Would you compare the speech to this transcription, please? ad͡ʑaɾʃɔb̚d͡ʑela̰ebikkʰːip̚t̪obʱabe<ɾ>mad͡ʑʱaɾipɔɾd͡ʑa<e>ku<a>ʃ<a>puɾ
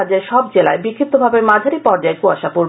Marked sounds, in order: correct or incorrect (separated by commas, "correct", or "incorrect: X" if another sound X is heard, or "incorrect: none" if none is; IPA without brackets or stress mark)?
correct, correct, correct, correct